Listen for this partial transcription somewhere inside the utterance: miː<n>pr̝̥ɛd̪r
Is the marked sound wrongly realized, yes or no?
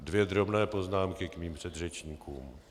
yes